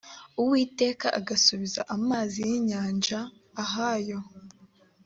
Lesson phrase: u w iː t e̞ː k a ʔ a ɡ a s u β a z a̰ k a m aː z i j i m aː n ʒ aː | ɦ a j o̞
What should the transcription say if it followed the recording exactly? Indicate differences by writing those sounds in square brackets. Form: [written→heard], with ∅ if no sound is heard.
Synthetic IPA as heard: u w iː t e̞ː k a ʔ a ɡ a s u β [a→i] z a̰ [k→ʔ] a m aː z i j i [m→ɲ] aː n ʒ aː | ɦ a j o̞